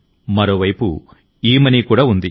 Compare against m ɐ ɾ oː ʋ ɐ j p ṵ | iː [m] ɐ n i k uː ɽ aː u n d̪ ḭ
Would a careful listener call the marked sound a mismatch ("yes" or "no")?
no